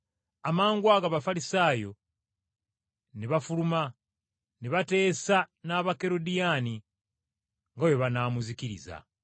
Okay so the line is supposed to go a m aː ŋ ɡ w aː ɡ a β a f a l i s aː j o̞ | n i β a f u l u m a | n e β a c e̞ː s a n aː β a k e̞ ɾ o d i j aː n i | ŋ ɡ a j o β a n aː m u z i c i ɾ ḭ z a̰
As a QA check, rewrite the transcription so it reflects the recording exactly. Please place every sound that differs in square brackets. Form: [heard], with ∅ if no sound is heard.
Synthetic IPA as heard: a m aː ŋ ɡ w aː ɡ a β a f a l i s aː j o̞ | n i β a f u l u m a | n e β a [t] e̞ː s a n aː β a k e̞ ɾ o d i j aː n i | ŋ ɡ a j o β a n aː m u z i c i ɾ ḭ z a̰